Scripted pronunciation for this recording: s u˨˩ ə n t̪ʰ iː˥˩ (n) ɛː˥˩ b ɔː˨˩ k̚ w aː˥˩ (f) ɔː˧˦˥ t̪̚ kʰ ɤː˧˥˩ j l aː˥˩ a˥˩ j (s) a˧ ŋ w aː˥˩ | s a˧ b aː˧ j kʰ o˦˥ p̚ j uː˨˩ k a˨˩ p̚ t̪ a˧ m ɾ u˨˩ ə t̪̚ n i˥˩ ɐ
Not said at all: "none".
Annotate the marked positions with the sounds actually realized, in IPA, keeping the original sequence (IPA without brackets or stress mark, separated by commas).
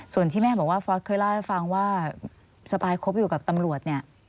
m, f, f